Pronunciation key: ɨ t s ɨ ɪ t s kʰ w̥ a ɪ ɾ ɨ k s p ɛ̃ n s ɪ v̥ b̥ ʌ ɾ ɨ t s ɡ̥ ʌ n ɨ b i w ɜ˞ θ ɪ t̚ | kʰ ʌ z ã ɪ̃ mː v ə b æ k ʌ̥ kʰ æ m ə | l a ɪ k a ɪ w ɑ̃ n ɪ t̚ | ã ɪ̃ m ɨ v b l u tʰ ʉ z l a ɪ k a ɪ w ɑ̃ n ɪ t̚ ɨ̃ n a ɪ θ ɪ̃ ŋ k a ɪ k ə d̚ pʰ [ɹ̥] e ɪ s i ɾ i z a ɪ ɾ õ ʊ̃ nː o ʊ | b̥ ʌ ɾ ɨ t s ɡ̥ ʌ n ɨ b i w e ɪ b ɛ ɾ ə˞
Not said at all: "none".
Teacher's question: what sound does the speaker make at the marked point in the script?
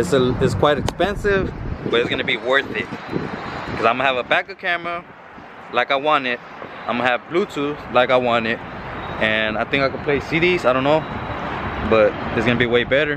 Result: l̥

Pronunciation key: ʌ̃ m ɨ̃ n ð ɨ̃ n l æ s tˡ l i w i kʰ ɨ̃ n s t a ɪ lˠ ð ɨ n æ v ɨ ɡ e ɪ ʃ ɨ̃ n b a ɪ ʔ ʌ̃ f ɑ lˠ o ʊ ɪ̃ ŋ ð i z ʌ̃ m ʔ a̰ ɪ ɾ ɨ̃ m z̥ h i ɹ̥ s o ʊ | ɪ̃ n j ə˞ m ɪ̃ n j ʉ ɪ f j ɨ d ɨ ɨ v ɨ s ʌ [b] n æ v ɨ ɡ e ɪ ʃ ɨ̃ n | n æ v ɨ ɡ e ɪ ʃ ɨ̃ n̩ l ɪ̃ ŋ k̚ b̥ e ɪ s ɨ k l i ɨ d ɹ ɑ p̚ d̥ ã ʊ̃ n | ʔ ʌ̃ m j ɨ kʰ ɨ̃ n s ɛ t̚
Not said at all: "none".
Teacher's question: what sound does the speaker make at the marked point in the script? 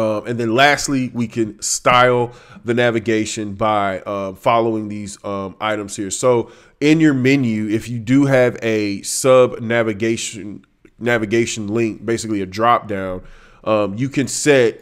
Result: b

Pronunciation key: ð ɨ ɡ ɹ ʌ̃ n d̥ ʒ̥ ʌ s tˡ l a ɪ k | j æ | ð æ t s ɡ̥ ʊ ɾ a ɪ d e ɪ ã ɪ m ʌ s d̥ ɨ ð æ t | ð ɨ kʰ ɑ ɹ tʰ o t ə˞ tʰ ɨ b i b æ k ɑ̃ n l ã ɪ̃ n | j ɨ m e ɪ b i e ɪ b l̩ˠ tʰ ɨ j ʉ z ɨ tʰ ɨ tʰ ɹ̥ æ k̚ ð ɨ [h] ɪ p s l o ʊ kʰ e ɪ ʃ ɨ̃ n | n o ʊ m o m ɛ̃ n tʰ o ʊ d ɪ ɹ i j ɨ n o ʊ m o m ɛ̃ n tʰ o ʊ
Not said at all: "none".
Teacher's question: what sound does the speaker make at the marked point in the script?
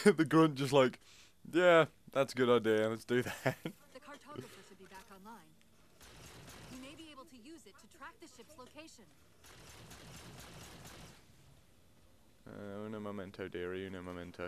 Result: ʃ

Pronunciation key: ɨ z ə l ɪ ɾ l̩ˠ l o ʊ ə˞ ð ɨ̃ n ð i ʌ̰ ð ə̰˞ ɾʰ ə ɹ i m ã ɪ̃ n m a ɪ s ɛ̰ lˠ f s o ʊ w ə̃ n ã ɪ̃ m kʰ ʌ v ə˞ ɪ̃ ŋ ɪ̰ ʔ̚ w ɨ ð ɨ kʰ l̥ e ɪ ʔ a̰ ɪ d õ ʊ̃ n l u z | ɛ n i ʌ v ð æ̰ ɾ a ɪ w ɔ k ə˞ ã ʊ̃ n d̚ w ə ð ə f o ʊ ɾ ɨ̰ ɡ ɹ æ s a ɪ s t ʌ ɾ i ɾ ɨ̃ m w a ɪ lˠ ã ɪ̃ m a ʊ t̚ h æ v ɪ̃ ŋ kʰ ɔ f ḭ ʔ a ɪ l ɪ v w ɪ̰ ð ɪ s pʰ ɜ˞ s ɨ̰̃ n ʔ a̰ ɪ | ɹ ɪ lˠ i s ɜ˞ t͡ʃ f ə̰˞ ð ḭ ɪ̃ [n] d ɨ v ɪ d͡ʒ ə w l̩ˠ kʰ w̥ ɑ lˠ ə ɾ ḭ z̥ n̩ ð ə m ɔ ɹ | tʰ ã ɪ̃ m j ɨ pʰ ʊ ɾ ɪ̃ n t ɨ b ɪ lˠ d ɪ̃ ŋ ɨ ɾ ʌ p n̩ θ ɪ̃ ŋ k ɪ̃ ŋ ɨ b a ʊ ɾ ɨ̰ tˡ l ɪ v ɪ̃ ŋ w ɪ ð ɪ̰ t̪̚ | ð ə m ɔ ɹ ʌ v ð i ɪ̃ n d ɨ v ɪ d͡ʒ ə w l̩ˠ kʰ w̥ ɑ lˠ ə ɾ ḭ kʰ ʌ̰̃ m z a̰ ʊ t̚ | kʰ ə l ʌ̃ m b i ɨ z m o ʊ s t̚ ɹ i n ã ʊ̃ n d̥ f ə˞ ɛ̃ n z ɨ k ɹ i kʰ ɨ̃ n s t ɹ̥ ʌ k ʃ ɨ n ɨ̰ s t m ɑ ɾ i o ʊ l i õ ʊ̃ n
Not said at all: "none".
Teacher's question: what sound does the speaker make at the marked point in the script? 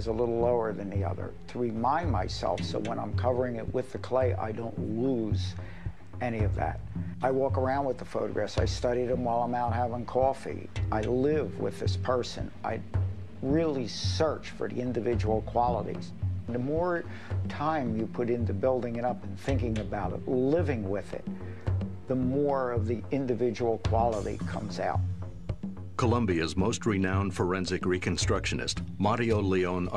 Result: n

